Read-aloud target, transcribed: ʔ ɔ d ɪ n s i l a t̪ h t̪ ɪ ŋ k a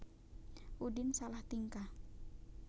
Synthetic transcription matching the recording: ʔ u d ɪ n s a l a h t̪ i ŋ k a